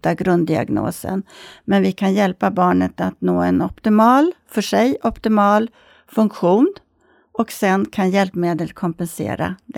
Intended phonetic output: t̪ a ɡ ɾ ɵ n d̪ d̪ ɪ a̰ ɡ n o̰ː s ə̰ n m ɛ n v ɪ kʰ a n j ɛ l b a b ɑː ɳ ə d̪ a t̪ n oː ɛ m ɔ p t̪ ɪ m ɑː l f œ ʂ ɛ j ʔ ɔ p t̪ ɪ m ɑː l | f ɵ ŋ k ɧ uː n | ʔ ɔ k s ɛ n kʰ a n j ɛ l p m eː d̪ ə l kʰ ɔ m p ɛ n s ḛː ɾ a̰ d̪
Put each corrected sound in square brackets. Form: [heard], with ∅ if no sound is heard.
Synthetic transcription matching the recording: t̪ a ɡ ɾ ɵ n d̪ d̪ ɪ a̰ ɡ n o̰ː s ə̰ n m ɛ n v ɪ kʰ a n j ɛ l [p] a b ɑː ɳ ə [t̪] a t̪ n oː ɛ [n] ɔ p t̪ ɪ m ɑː l f œ ʂ ɛ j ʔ ɔ p t̪ ɪ m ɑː l | f ɵ ŋ k ɧ uː n | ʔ ɔ k s ɛ n kʰ a n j ɛ l p m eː d̪ ə l kʰ ɔ m p ɛ n s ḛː ɾ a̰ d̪